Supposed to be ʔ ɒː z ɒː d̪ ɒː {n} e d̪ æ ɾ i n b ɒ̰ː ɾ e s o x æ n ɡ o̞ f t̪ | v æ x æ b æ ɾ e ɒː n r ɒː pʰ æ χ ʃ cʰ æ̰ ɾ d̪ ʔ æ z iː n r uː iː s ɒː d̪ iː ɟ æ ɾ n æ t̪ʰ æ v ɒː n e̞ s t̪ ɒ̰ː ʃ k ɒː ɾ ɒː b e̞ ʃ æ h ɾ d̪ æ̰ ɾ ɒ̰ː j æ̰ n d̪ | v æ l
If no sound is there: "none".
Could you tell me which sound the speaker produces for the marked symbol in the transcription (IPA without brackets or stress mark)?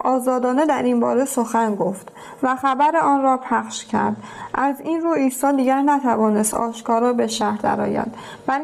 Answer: n